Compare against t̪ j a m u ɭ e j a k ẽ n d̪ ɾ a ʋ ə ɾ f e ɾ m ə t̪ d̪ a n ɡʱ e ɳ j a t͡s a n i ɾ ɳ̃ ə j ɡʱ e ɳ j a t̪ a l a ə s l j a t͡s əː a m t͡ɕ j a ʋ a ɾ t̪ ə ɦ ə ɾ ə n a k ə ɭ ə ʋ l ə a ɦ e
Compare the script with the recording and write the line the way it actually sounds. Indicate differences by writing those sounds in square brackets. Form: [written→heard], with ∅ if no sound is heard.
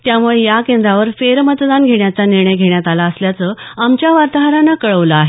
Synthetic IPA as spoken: t̪ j a m u ɭ e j a k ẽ n d̪ ɾ a ʋ ə ɾ f e ɾ m ə t̪ d̪ a n ɡʱ e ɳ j a t͡s a n i ɾ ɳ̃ ə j ɡʱ e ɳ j a t̪ a l a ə s l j a t͡s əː a m t͡ɕ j a ʋ a ɾ t̪ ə ɦ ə ɾ [ə→a] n a k ə ɭ ə ʋ l ə a ɦ e